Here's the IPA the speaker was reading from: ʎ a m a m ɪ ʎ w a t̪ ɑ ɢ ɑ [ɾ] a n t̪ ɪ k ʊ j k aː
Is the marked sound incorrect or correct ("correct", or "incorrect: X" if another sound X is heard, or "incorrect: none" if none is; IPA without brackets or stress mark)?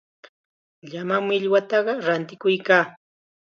correct